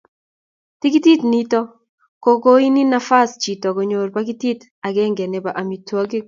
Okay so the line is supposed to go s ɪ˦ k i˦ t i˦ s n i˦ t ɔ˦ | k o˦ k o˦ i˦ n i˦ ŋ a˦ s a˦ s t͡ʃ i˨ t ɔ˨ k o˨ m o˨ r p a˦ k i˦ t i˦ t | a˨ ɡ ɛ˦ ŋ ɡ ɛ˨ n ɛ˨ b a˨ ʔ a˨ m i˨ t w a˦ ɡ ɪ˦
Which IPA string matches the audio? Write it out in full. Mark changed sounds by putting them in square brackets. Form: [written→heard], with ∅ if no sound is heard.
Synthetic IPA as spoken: [s→t] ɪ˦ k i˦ t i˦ [s→t] n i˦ t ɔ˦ | k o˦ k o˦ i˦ n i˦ [ŋ→n] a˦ [s→f] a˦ s t͡ʃ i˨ t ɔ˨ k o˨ [m→ɲ] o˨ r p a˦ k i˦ t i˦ t | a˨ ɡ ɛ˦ ŋ ɡ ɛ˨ n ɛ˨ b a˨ ʔ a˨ m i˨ t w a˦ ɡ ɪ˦

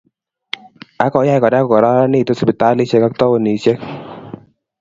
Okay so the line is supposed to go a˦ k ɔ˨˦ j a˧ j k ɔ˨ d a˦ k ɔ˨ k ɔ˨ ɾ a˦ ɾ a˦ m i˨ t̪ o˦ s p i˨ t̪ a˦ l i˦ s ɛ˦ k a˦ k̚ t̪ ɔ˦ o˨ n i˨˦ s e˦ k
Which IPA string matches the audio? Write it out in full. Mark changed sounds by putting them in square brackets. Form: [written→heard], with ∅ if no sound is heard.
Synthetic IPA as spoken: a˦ k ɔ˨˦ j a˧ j k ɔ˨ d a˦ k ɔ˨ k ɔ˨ ɾ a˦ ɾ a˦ [m→n] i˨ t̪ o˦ s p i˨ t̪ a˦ l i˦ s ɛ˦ k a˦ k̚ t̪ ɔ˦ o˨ n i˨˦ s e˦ k

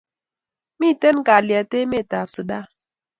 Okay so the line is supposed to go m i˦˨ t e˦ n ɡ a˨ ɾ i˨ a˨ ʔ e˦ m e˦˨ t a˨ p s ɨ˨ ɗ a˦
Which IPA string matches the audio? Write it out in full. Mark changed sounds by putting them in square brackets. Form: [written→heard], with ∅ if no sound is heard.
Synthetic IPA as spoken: m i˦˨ t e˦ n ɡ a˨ [ɾ→l] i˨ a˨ [ʔ→t] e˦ m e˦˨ t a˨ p s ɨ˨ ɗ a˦

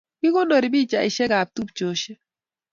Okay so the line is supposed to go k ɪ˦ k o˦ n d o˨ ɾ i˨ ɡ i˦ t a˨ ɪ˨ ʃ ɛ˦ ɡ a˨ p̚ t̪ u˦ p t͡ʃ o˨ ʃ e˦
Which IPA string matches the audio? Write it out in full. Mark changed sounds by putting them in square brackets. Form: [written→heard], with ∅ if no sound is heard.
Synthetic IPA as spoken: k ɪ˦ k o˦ n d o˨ ɾ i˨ [ɡ→b] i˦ [t→t͡ʃ] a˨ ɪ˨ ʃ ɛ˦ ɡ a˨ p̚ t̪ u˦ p t͡ʃ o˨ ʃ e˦

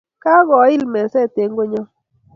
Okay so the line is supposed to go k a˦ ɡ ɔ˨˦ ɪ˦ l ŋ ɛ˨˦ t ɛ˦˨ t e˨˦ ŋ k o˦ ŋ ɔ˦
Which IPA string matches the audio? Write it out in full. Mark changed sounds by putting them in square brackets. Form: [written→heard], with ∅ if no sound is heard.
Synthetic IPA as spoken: k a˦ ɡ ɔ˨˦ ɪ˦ l [ŋ→m] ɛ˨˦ [t→s] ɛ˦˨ t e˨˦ ŋ [k→ɡ] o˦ [ŋ→ɲ] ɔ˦

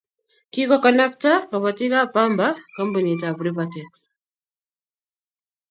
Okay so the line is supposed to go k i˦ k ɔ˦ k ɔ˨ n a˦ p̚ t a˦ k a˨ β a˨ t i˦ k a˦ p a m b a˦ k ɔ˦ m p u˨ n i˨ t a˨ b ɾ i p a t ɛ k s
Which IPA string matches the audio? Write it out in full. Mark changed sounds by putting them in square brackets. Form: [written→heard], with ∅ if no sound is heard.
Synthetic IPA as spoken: k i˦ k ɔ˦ k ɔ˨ n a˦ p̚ t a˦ k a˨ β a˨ t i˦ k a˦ p a m b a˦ k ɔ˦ m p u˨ n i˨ t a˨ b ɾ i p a t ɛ k s

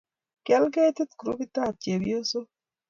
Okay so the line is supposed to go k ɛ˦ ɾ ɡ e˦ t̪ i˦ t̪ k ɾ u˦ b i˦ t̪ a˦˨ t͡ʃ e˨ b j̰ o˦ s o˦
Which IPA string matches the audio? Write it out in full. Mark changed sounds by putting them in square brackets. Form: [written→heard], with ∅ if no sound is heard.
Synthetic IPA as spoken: k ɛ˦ [ɾ→l] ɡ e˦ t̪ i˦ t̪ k ɾ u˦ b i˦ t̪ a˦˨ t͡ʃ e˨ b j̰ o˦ s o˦

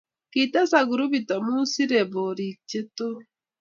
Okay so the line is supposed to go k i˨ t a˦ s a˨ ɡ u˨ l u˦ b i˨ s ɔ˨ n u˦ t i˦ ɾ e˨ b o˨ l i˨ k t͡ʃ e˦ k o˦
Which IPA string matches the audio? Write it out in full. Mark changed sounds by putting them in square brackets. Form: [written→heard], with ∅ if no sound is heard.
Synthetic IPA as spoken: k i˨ t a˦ s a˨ ɡ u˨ [l→ɾ] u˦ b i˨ [s→t] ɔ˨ [n→m] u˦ [t→s] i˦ ɾ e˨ b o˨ [l→ɾ] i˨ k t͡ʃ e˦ [k→t] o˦

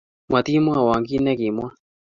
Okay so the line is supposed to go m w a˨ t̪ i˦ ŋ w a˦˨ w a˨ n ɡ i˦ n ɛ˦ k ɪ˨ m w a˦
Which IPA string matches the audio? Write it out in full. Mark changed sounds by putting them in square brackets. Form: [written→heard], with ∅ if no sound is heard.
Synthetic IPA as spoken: m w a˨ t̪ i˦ [ŋ→m] w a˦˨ w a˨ [n→ŋ] ɡ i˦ n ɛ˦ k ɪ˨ m w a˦

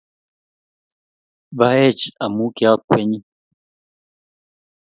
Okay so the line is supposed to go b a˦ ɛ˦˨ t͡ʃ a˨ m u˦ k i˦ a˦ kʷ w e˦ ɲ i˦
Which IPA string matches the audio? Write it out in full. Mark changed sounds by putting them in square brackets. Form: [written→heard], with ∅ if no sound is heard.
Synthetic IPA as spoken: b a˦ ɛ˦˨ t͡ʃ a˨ m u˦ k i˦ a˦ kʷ w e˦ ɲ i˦

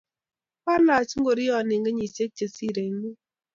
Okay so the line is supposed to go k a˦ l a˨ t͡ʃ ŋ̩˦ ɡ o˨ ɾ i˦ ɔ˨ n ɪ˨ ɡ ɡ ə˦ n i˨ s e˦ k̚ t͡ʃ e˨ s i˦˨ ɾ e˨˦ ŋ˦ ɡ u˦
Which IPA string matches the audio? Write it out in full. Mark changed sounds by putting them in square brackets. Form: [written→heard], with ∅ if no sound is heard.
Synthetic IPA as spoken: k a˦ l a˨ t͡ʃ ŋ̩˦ ɡ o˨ ɾ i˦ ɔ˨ n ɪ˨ [ɡ→ŋ] ɡ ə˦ [n→ɲ] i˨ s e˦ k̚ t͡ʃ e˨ s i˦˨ ɾ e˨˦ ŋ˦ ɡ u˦

